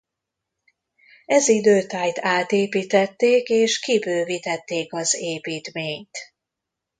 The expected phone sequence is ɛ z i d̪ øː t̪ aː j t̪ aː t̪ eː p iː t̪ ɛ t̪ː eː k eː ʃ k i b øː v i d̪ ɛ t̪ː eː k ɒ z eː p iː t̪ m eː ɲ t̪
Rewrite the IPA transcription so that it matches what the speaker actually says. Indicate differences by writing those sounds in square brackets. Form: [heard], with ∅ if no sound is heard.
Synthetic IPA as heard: ɛ z i d̪ øː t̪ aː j t̪ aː t̪ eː p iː t̪ ɛ t̪ː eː k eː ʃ k i b øː v i [t̪] ɛ t̪ː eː k ɒ z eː p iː t̪ m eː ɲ t̪